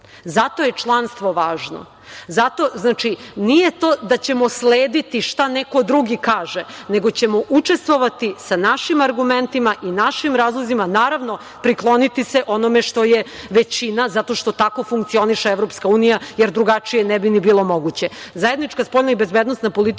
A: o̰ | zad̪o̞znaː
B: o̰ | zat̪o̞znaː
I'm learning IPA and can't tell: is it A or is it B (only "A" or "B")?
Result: B